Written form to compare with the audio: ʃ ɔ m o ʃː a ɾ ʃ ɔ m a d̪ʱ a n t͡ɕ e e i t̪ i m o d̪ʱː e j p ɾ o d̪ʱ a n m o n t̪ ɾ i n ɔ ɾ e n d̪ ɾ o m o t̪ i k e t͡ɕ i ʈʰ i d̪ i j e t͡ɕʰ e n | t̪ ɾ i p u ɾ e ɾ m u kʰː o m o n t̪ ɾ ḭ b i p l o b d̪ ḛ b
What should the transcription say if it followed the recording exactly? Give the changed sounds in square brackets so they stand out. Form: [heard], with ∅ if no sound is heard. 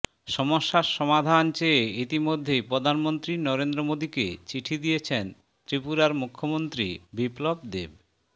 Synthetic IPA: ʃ ɔ m o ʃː a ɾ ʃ ɔ m a d̪ʱ a n t͡ɕ e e i t̪ i m o d̪ʱː e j p ɾ o d̪ʱ a n m o n t̪ ɾ i n ɔ ɾ e n d̪ ɾ o m o [d̪] i k e t͡ɕ i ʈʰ i d̪ i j e t͡ɕʰ e n | t̪ ɾ i p u ɾ [a] ɾ m u kʰː o m o n t̪ ɾ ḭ b i p l o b d̪ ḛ b